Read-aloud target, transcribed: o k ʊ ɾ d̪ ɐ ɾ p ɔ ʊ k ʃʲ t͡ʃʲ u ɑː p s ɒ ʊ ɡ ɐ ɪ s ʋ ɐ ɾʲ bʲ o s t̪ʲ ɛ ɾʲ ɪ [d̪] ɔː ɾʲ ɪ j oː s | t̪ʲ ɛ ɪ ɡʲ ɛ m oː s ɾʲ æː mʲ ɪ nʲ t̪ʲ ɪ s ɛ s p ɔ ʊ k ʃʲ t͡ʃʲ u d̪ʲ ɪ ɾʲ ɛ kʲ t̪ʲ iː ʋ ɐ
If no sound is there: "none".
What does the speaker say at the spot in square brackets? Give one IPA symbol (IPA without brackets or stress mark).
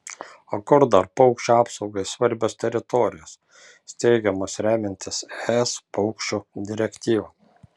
t̪